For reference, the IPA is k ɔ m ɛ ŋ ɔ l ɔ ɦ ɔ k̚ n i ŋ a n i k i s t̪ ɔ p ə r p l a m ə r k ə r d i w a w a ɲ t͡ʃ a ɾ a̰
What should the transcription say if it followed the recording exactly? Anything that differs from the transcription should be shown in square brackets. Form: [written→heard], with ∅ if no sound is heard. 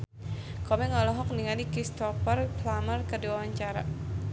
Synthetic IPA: k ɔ m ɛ ŋ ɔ l ɔ ɦ ɔ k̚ n i ŋ a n i k i s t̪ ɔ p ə r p l a m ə r k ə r d i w a w a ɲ t͡ʃ a ɾ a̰